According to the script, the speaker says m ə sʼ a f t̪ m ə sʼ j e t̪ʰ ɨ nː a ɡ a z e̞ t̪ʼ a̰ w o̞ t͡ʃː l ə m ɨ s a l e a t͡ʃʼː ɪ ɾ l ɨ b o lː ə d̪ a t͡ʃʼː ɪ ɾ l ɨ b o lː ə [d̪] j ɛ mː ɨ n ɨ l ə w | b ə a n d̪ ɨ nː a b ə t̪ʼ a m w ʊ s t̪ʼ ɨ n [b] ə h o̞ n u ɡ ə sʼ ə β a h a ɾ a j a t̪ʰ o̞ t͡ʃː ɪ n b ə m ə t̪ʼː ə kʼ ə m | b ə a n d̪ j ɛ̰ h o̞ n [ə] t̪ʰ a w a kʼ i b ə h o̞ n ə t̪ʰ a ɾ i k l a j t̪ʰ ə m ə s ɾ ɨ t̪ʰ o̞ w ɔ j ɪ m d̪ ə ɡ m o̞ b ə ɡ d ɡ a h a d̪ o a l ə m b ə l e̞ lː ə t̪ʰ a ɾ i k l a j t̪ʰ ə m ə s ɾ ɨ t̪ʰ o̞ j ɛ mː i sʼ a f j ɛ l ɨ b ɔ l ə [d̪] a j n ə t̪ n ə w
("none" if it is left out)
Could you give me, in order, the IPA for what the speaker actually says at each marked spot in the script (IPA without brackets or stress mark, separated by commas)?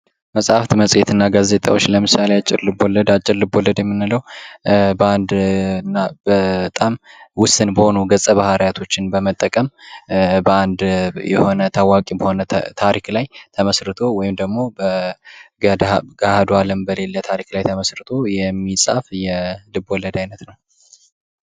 d̪, b, ə, d̪